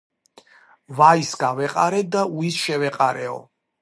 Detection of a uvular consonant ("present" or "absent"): present